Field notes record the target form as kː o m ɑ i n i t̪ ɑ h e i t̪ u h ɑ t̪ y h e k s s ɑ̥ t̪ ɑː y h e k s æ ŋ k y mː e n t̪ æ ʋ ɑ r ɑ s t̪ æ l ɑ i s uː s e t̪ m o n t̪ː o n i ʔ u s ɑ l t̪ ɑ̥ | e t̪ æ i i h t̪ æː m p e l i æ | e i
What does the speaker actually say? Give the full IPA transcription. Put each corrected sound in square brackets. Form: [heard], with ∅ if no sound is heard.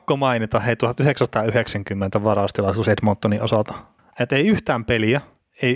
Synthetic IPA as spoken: kː o m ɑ i n i t̪ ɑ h e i t̪ u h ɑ t̪ y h e k s s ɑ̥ t̪ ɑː y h e k s æ ŋ k y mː e n t̪ æ ʋ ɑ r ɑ s t̪ [i] l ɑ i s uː s e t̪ m o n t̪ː o n i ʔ [o] s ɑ l t̪ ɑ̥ | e t̪ [e] i [y] h t̪ æː m p e l i æ | e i